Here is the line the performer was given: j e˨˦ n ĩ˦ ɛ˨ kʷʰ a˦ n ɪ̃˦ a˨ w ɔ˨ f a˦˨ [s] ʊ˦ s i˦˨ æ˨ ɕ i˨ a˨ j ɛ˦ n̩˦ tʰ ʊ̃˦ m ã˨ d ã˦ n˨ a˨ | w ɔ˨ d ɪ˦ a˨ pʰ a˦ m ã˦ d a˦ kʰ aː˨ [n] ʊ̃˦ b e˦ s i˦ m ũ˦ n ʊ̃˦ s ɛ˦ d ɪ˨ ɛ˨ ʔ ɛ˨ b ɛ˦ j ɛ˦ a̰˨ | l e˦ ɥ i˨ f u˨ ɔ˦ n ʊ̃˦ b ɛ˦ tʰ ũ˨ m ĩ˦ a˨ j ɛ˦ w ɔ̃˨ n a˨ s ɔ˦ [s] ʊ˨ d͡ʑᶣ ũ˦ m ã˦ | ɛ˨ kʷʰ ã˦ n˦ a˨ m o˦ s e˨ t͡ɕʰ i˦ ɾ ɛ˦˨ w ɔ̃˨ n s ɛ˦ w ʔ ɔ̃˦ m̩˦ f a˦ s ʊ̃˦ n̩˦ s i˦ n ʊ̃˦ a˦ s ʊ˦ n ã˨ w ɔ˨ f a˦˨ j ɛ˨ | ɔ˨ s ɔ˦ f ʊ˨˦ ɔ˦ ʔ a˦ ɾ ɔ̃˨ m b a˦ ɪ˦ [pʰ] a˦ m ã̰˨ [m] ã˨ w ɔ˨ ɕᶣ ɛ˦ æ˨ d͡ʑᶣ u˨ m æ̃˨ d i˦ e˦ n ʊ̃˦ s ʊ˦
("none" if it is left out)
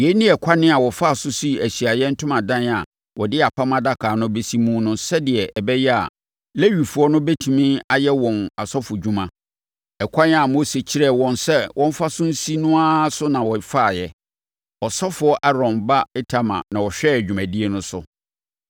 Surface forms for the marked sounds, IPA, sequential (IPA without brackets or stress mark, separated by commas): s, n, f, tʰ, n